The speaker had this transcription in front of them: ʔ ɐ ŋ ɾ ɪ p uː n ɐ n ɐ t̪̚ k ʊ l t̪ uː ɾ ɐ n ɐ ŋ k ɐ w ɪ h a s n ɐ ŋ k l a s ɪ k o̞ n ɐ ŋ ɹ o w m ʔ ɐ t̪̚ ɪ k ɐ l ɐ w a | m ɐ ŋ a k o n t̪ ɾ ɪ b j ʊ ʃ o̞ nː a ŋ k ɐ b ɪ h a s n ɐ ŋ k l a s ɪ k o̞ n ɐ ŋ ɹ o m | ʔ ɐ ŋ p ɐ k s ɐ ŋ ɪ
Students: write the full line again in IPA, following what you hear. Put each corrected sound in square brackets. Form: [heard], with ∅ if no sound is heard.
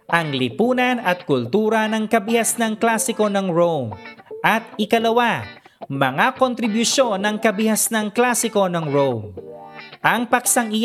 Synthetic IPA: ʔ ɐ ŋ [l] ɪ p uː n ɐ n ɐ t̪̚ k ʊ l t̪ uː ɾ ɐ n ɐ ŋ k ɐ [b] ɪ h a s n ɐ ŋ k l a s ɪ k o̞ n ɐ ŋ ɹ o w m ʔ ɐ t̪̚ ɪ k ɐ l ɐ w a | m ɐ ŋ a k o n t̪ ɾ ɪ b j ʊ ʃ o̞ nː [ɐ] ŋ k ɐ b ɪ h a s n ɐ ŋ k l a s ɪ k o̞ n ɐ ŋ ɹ o m | ʔ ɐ ŋ p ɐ k s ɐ ŋ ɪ